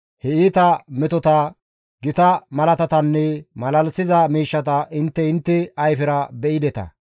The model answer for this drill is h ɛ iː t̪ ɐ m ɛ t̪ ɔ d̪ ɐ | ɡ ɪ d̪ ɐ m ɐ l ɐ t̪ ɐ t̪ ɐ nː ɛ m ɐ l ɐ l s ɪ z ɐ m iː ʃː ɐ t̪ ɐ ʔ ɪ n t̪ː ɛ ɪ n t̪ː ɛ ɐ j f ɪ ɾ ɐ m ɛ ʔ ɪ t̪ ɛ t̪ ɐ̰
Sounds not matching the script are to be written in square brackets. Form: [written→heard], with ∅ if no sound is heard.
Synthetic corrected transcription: h ɛ iː t̪ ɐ m ɛ t̪ ɔ [d̪→t̪] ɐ | ɡ ɪ [d̪→t̪] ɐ m ɐ l ɐ t̪ ɐ t̪ ɐ nː ɛ m ɐ l ɐ l s ɪ z ɐ m iː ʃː ɐ t̪ ɐ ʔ ɪ n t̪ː ɛ ɪ n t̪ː ɛ ɐ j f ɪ ɾ ɐ [m→b] ɛ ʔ ɪ [t̪→d̪] ɛ t̪ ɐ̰